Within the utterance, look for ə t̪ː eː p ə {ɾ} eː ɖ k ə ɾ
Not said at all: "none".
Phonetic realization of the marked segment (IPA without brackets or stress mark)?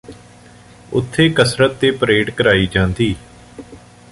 ɾ